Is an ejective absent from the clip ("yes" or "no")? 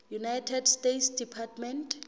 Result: yes